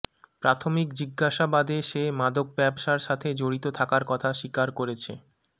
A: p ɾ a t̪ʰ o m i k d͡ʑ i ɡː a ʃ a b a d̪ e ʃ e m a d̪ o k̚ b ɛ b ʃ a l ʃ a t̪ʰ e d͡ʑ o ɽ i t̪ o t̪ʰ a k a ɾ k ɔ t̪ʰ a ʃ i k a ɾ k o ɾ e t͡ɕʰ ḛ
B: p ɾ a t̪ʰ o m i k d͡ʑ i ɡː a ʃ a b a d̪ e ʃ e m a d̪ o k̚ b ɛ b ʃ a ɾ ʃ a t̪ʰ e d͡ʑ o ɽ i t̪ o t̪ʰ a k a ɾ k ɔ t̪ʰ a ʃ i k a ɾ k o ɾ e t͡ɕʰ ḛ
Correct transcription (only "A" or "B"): B